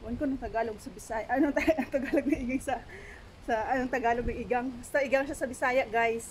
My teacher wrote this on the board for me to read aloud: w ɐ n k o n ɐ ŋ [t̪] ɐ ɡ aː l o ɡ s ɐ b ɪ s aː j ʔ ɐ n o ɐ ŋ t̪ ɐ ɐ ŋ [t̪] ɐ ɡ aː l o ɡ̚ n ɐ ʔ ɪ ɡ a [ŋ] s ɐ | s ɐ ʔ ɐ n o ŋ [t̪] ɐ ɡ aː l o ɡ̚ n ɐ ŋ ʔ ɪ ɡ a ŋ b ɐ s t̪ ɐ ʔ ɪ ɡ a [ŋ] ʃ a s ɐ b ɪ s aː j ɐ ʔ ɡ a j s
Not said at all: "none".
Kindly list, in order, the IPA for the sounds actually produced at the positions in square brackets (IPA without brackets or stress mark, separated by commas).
t̪, t̪, ŋ, t̪, ŋ